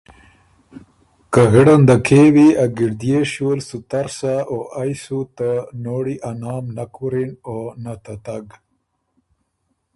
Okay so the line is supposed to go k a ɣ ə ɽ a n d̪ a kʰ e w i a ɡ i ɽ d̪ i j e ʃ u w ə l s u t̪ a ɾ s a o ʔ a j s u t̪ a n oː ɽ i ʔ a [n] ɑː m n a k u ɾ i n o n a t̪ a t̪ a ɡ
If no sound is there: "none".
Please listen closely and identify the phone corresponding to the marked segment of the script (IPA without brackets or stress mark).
n